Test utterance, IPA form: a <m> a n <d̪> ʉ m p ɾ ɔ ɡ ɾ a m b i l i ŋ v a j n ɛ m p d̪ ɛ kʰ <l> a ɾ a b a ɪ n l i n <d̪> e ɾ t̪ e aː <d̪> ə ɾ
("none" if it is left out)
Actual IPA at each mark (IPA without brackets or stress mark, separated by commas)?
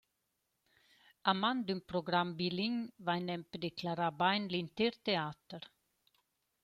m, d̪, l, t̪, t̪